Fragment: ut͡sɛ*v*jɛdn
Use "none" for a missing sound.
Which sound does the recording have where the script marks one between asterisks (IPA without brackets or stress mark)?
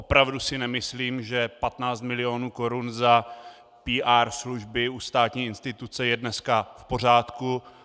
none